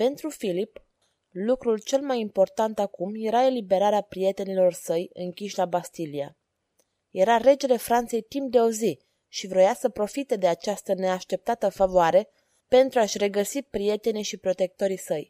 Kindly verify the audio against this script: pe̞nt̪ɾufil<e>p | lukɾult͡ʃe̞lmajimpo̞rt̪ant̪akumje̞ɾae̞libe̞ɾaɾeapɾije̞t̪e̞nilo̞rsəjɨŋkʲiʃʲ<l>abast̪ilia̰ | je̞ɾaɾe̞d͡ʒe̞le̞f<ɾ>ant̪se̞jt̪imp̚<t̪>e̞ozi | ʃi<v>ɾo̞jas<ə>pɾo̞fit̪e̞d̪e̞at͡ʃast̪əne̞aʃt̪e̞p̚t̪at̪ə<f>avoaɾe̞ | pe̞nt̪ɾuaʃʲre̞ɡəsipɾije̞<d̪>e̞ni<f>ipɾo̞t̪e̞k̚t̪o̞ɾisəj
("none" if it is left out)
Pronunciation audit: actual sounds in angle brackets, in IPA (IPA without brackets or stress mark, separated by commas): i, l, ɾ, d̪, v, ə, f, t̪, ʃ